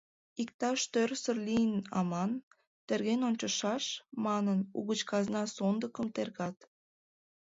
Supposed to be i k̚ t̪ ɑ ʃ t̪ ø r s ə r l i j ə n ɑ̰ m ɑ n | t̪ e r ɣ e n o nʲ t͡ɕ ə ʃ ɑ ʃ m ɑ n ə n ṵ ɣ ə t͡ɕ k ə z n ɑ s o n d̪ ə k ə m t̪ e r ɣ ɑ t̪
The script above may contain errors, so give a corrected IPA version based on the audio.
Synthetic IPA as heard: i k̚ t̪ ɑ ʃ t̪ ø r s ə r l i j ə n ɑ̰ m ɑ n | t̪ e r ɣ e n o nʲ t͡ɕ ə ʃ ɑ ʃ m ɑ n ə n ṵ ɣ ə t͡ɕ k ɑ z n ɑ s o n d̪ ə k ə m t̪ e r ɣ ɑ t̪